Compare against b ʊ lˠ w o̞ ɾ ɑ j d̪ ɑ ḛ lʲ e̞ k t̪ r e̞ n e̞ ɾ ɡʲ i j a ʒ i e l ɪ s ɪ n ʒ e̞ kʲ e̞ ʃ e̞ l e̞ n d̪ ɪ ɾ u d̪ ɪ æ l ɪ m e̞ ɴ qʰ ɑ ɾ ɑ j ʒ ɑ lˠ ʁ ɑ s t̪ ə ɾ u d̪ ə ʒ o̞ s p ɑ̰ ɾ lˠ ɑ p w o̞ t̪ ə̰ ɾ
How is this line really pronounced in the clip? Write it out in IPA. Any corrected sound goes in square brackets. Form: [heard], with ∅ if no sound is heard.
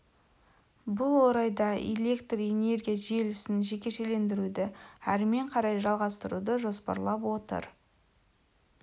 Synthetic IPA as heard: b ʊ lˠ w o̞ ɾ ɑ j d̪ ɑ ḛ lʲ e̞ k t̪ r e̞ n e̞ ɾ ɡʲ i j a ʒ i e l ɪ s ɪ n ʒ e̞ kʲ e̞ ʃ e̞ l e̞ n d̪ ɪ ɾ u d̪ ɪ æ [ɾ] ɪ m e̞ ɴ qʰ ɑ ɾ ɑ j ʒ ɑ lˠ ʁ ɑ s t̪ ə ɾ u d̪ ə ʒ o̞ s p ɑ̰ ɾ lˠ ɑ p w o̞ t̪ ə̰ ɾ

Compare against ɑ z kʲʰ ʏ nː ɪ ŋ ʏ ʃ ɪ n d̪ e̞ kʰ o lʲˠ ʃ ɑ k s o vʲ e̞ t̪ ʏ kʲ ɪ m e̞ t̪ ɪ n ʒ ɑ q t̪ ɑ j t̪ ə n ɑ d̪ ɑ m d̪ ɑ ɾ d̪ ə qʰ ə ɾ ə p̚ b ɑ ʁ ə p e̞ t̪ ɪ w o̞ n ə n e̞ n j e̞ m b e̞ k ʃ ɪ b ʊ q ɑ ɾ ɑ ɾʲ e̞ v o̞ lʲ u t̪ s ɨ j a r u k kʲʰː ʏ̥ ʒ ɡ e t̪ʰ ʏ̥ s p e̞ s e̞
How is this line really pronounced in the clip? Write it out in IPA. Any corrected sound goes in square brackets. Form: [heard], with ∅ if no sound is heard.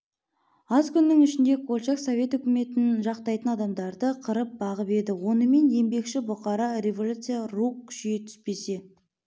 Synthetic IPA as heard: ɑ z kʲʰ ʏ nː ɪ ŋ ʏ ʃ ɪ n d̪ e̞ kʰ o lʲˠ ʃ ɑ k s o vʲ e̞ t̪ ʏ kʲ ɪ m e̞ t̪ ɪ n ʒ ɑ q t̪ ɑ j t̪ ə n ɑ d̪ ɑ m d̪ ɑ ɾ d̪ ə qʰ ə ɾ ə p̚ b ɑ ʁ ə p e̞ [d̪] ɪ w o̞ n ə [m] e̞ n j e̞ m b e̞ k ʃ ɪ b ʊ q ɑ ɾ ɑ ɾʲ e̞ v o̞ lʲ u t̪ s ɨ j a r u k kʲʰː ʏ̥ [ʃ] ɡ e t̪ʰ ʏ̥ s p e̞ s e̞

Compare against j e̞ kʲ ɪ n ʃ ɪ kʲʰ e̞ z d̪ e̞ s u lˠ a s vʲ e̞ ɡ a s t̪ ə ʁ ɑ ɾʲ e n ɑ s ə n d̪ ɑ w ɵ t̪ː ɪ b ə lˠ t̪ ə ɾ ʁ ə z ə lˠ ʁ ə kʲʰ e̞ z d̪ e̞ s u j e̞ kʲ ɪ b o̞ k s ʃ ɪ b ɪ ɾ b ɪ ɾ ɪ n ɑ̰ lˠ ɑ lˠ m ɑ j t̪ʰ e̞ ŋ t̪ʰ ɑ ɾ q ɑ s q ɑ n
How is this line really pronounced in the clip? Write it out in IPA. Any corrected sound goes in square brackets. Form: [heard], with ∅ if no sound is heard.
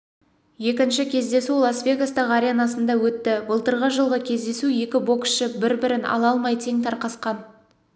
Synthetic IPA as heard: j e̞ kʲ ɪ n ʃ ɪ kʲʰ e̞ z d̪ e̞ s u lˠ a s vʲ e̞ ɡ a s t̪ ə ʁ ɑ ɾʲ e n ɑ s ə n d̪ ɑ w ɵ t̪ː ɪ b ə lˠ t̪ ə ɾ ʁ ə [ʒ] ə lˠ ʁ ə kʲʰ e̞ z d̪ e̞ s u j e̞ kʲ ɪ b o̞ k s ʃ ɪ b ɪ ɾ b ɪ ɾ ɪ n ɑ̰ lˠ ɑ lˠ m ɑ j t̪ʰ e̞ ŋ t̪ʰ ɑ ɾ q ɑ s q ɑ n

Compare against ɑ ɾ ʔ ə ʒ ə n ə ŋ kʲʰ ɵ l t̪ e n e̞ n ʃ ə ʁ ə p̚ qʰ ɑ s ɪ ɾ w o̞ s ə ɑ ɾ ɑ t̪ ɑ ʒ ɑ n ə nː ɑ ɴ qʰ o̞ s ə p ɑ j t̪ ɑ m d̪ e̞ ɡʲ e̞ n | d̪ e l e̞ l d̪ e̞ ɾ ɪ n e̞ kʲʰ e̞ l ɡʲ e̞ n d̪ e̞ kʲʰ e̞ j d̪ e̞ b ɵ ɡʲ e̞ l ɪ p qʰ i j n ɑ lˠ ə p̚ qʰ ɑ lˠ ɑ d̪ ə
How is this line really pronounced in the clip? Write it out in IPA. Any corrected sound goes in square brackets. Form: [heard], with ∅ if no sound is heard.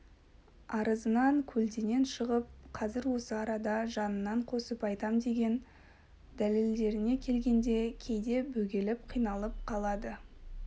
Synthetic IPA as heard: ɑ ɾ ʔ ə [z] ə n [ɑ] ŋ kʲʰ ɵ l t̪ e n e̞ n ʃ ə ʁ ə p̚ qʰ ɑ [z] ɪ ɾ w o̞ s ə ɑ ɾ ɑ [d̪] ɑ ʒ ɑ n ə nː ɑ ɴ qʰ o̞ s ə p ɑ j t̪ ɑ m d̪ e̞ ɡʲ e̞ n | d̪ [æ] l e̞ l d̪ e̞ ɾ ɪ n e̞ kʲʰ e̞ l ɡʲ e̞ n d̪ e̞ kʲʰ e̞ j d̪ e̞ b ɵ ɡʲ e̞ l ɪ p qʰ i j n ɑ lˠ ə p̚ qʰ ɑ lˠ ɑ d̪ ə

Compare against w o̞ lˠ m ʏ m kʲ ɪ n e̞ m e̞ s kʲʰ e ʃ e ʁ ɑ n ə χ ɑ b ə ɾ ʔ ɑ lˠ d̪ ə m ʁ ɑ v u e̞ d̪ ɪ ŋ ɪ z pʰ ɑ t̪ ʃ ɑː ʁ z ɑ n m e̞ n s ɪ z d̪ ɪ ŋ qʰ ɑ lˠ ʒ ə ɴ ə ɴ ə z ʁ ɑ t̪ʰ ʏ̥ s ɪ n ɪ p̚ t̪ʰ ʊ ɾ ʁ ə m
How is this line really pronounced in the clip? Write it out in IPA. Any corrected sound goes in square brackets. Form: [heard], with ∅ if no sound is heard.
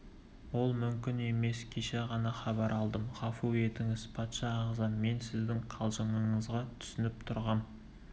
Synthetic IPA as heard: w o̞ lˠ m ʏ m kʲ ɪ n e̞ m e̞ s kʲʰ e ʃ e ʁ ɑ n [ɑ] χ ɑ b [ɑ] ɾ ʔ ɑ lˠ d̪ ə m ʁ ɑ [f] u e̞ [t̪] ɪ ŋ ɪ z pʰ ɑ t̪ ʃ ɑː ʁ z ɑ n m e̞ n s ɪ z d̪ ɪ ŋ qʰ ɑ lˠ ʒ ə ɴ ə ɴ ə z ʁ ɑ t̪ʰ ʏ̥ s ɪ n ɪ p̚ t̪ʰ ʊ ɾ ʁ [ɑ] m

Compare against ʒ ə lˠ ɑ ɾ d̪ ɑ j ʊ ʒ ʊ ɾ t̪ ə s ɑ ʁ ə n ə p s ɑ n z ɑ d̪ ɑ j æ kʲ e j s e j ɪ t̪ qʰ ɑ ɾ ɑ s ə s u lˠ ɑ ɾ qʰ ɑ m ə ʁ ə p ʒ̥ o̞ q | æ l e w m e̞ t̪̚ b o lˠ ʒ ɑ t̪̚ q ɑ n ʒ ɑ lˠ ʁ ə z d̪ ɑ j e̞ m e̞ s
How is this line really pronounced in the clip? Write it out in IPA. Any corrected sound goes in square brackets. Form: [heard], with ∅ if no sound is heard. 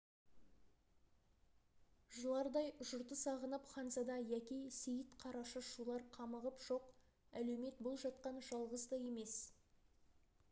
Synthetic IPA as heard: ʒ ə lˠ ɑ ɾ d̪ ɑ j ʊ ʒ ʊ ɾ t̪ ə s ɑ ʁ ə n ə p [χ] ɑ n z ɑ d̪ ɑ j æ kʲ e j s e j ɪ t̪ qʰ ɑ ɾ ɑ [ʃ] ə [ʃ] u lˠ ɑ ɾ qʰ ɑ m ə ʁ ə p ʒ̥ o̞ q | æ l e w m e̞ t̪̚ b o lˠ ʒ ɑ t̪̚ q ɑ n ʒ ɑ lˠ ʁ ə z d̪ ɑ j e̞ m e̞ s

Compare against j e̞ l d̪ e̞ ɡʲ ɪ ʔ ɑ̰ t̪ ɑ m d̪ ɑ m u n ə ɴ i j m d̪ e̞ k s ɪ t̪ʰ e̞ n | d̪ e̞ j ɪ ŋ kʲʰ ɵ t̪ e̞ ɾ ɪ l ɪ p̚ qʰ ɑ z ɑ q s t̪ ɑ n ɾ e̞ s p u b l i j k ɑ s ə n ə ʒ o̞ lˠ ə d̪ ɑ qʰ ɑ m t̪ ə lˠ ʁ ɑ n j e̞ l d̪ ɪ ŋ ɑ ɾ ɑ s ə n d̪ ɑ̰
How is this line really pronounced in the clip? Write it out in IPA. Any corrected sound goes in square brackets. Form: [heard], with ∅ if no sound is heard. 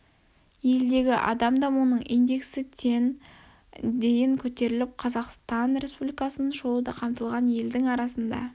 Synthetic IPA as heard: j e̞ l d̪ e̞ ɡʲ ɪ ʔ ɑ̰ [d̪] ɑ m d̪ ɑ m u n ə ɴ i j [n] d̪ e̞ k s ɪ t̪ʰ e̞ n | d̪ e̞ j ɪ ŋ kʲʰ ɵ t̪ e̞ ɾ ɪ l ɪ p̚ qʰ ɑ z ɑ q s t̪ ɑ n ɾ e̞ s p u b l i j k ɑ s ə n ə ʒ o̞ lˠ ə d̪ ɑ qʰ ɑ m t̪ ə lˠ ʁ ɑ n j e̞ l d̪ ɪ ŋ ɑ ɾ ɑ s ə n d̪ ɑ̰

